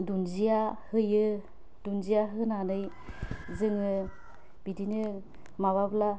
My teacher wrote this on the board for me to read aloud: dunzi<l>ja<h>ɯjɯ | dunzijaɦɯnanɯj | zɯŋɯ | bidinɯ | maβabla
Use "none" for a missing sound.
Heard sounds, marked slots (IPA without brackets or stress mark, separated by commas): none, h